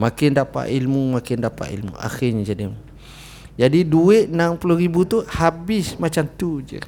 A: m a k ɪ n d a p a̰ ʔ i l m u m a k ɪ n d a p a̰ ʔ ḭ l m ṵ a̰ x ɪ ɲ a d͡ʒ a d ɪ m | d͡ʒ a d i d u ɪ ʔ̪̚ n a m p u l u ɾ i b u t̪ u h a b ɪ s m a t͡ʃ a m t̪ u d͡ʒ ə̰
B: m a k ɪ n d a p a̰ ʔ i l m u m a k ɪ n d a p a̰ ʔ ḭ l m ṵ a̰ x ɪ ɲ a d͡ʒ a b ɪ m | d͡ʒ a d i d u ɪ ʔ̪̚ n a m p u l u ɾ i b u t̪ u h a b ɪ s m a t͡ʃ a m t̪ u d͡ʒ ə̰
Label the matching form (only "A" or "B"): A